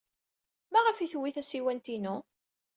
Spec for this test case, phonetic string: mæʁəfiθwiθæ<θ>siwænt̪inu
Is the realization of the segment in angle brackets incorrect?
yes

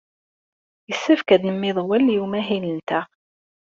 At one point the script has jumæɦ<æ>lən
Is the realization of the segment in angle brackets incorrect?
yes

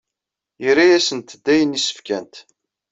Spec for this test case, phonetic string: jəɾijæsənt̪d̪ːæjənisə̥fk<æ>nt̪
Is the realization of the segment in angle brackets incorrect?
no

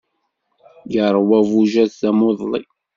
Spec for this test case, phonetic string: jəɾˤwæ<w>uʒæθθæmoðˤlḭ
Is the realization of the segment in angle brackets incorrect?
yes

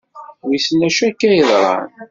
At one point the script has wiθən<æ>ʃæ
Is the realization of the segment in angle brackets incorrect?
no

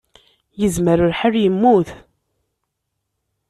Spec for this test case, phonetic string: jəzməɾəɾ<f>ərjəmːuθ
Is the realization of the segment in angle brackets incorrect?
yes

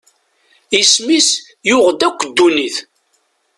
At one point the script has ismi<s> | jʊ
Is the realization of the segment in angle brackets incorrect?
no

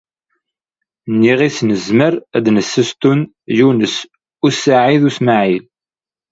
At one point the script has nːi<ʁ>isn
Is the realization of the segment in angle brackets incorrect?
no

